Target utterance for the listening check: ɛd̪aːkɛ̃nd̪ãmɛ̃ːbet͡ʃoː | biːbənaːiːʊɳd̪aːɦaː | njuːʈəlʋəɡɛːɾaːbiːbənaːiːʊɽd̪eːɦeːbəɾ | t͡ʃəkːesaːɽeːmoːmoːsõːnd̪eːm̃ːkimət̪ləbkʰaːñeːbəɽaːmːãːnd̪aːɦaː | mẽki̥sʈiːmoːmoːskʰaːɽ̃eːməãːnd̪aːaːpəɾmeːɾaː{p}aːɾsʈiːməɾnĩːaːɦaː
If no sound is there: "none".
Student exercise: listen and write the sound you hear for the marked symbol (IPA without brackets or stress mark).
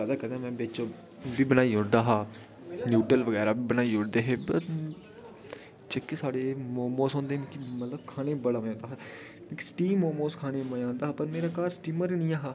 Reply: k